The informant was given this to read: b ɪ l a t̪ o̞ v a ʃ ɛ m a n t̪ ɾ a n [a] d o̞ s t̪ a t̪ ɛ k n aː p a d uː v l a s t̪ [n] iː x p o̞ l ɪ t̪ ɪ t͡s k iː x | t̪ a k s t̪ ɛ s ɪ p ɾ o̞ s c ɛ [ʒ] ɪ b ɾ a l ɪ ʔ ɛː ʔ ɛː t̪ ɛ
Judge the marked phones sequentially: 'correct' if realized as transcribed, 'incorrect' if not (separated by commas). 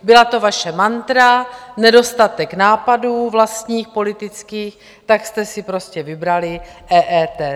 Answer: incorrect, incorrect, incorrect